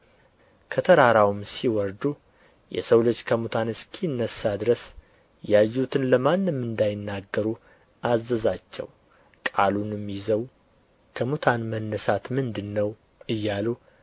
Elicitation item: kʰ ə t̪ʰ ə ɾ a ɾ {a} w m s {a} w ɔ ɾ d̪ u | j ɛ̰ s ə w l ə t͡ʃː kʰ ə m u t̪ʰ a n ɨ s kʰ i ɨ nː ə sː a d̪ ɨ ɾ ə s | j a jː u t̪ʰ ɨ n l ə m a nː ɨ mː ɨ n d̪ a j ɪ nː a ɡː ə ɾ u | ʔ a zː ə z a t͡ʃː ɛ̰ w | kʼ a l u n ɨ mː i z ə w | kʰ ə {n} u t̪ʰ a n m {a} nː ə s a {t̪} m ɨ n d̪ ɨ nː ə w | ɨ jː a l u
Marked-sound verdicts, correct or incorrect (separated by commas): correct, incorrect, incorrect, incorrect, correct